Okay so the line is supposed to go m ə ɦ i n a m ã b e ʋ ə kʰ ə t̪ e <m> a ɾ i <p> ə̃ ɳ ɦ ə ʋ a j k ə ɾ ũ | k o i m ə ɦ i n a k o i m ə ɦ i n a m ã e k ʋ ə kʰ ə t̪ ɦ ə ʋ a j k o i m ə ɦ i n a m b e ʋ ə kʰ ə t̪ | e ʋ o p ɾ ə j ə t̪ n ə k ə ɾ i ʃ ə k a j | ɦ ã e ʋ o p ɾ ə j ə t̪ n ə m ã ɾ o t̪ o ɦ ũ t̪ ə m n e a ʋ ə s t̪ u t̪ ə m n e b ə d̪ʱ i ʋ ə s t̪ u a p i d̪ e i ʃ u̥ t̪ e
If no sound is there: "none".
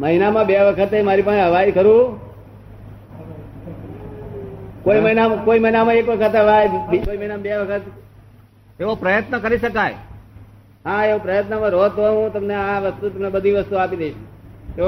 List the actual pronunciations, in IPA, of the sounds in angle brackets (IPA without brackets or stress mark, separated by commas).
m, p